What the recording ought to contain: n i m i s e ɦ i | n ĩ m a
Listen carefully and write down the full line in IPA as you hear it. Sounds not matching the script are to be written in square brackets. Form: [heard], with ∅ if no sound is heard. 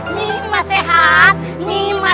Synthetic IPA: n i m [a] s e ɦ [a] | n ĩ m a

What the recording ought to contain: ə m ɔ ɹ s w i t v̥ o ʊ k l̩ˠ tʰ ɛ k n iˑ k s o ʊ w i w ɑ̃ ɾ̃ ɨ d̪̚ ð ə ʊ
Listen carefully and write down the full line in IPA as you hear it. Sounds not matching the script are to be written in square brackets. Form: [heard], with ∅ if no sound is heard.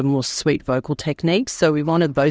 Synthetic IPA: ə m ɔ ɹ s w i t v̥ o ʊ k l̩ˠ tʰ ɛ k n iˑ k s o ʊ w i w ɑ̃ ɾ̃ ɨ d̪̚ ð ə ʊ

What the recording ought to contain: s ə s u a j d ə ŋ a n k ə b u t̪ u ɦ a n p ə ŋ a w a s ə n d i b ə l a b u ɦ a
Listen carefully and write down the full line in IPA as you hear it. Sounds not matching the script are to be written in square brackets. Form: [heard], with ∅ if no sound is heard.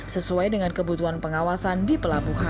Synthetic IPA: s ə s u a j d ə ŋ a n k ə b u t̪ u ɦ a n p ə ŋ a w a s [a] n d i [p] ə l a b u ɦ a

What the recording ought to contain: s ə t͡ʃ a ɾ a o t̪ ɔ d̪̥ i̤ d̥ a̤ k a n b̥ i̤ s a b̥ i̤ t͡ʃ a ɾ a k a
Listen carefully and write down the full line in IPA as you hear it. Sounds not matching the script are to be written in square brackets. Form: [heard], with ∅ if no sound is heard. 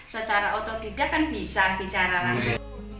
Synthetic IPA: s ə t͡ʃ a ɾ a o t̪ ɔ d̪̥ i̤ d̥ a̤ k a n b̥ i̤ s a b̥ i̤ t͡ʃ a ɾ a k a

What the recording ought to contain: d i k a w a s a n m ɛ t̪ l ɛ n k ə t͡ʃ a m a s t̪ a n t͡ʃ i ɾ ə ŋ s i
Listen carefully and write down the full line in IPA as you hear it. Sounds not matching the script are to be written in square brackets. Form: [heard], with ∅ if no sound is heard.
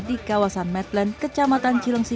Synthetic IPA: d i k a w a s a n m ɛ t̪ l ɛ n k ə t͡ʃ a m a [∅] t̪ a n t͡ʃ i [l] ə ŋ s i

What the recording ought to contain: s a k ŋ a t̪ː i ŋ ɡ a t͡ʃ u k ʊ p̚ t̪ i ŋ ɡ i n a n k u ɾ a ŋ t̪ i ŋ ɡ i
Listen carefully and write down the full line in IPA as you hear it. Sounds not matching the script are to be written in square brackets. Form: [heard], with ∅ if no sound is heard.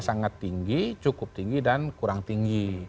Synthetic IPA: s a [∅] ŋ a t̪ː i ŋ ɡ [i] t͡ʃ u k ʊ p̚ t̪ i ŋ ɡ i [d] a n k u ɾ a ŋ t̪ i ŋ ɡ i

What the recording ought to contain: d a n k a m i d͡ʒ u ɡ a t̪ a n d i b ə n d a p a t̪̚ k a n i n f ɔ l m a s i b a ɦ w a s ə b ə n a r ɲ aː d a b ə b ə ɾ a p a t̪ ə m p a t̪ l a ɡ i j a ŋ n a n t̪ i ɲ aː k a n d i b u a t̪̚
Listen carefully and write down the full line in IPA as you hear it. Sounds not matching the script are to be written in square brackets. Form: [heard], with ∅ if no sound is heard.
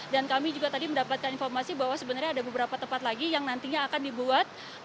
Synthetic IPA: d a n k a m i d͡ʒ u ɡ a t̪ a [∅] d i [m] ə n d a p a t̪̚ k a n i n f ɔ [r] m a s i b a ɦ w a s ə b ə n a r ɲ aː d a b ə b ə ɾ a p a t̪ ə m p a t̪ l a ɡ i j a ŋ n a n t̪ i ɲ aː k a n d i b u a t̪̚

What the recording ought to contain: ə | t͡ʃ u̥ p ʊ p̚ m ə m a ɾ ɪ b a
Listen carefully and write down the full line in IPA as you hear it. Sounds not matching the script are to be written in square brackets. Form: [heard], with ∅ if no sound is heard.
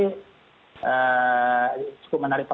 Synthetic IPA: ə | t͡ʃ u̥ [k] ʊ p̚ m ə [n] a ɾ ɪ [p] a

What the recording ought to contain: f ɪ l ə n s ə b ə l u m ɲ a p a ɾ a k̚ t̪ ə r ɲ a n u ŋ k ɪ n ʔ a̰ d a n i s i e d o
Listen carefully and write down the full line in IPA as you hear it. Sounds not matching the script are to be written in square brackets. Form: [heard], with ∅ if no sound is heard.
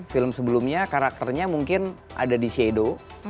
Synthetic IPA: f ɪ l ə [m] s ə b ə l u m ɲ a [k] a ɾ a k̚ t̪ ə r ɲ a [m] u ŋ k ɪ n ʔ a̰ d a [d] i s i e d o

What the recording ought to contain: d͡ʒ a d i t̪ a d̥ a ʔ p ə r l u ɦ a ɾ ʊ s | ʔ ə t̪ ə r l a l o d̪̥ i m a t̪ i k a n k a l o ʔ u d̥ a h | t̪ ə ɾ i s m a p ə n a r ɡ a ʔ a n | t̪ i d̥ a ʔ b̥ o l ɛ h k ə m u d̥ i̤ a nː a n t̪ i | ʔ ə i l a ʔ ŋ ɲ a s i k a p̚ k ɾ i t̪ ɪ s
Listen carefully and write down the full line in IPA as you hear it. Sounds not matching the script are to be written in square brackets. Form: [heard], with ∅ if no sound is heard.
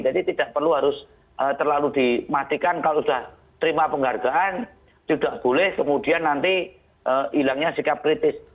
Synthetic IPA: d͡ʒ a d i t̪ [i] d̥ a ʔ p ə r l u ɦ a ɾ ʊ s | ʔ ə t̪ ə r l a l [u] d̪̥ i m a t̪ i k a n k a l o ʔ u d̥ a h | t̪ ə ɾ i [∅] m a p ə [ŋ] a r ɡ a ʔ a n | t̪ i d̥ a ʔ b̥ o l ɛ h k ə m u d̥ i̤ a nː a n t̪ i | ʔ ə i l a [∅] ŋ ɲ a s i k a p̚ k ɾ i t̪ ɪ s

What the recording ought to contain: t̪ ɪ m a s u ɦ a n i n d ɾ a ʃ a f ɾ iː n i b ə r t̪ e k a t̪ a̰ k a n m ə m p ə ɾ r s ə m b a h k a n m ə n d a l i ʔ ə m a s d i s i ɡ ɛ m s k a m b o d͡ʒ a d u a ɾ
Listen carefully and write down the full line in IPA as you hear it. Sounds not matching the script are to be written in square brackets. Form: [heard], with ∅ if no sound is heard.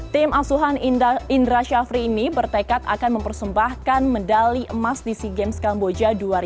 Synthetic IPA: t̪ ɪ m a s u ɦ a n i n d ɾ a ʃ a f ɾ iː n i b ə r t̪ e k a t̪ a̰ k a n m ə m p ə [∅] r s ə m b a h k a n m ə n d a l i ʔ ə m a s d i s i ɡ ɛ m s k a m b o d͡ʒ a d u a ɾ

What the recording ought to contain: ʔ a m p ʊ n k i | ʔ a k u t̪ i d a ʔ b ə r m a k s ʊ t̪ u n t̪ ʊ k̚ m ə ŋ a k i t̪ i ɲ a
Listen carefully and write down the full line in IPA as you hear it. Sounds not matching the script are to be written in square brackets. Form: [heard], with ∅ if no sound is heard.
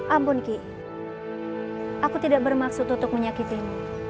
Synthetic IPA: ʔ a m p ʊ n k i | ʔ a k u t̪ i d a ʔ b ə r m a k s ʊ t̪ u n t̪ ʊ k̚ m ə [ɲ] a k i t̪ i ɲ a

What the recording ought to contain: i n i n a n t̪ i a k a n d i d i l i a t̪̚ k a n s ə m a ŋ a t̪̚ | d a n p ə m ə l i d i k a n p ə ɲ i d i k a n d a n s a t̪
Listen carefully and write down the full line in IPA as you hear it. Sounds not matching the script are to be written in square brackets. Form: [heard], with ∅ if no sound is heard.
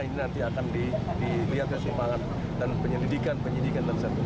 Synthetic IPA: i n i n a n t̪ i a k a n d i d i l i a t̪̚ k a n s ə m a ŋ a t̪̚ | d a n p ə [ɲ] ə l i d i k a n p ə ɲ i d i k a n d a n s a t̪

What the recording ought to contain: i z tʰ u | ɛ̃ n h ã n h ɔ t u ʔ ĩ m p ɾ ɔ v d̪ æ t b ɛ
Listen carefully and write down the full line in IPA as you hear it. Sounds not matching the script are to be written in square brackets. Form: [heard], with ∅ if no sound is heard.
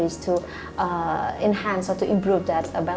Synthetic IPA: i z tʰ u | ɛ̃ n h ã n [s] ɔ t u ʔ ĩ m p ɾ [u] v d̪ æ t b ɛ

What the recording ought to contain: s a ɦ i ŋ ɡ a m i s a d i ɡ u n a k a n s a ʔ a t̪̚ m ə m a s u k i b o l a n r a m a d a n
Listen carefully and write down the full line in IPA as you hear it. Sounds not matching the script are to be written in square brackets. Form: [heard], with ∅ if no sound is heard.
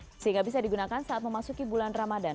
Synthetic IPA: s [ə] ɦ i ŋ ɡ a [b] i s a d i ɡ u n a k a n s a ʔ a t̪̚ m ə m a s u k i b [u] l a n r a m a d a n

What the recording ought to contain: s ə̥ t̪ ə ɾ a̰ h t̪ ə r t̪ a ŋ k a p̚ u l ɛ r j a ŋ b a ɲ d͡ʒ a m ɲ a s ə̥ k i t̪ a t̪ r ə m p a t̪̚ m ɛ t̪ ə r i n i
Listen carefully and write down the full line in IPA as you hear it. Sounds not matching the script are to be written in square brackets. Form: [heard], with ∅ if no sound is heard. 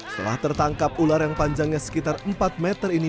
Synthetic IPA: s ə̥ t̪ ə [l] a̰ h t̪ ə r t̪ a ŋ k a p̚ u l [a] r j a ŋ [p] a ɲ d͡ʒ a [ŋ] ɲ a s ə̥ k i t̪ a [∅] r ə m p a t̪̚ m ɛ t̪ ə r i n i

